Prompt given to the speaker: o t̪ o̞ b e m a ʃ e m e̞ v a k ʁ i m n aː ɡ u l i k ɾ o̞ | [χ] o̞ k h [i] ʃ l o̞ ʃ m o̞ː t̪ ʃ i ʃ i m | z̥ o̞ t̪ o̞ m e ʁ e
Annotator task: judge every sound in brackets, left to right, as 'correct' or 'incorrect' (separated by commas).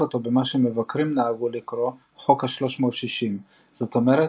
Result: correct, incorrect